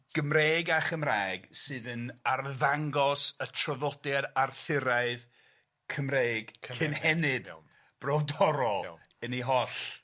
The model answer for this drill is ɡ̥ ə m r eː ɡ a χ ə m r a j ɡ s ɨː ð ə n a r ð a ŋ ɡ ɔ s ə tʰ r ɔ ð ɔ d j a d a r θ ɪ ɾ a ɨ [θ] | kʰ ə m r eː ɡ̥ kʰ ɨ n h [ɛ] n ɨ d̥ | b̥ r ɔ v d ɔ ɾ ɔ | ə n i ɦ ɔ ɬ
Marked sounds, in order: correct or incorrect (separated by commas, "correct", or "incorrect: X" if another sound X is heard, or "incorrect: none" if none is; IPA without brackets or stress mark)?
incorrect: ð, correct